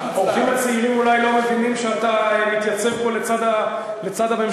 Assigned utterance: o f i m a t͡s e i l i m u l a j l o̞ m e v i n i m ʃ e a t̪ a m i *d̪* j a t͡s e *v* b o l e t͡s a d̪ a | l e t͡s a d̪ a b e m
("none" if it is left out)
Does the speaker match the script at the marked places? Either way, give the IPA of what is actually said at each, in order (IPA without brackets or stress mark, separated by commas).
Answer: t̪, v